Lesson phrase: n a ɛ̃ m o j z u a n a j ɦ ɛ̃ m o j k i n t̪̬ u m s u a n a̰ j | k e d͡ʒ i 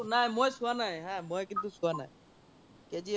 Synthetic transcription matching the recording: n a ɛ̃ m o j s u a n a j ɦ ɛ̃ m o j k i n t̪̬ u s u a n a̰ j | k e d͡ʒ i